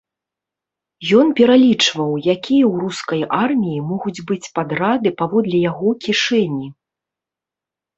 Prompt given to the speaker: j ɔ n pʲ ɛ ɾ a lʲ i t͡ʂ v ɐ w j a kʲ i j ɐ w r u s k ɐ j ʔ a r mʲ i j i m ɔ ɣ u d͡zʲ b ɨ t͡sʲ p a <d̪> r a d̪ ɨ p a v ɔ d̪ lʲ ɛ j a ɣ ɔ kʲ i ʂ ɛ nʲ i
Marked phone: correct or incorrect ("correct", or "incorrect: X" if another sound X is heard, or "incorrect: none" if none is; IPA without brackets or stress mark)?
correct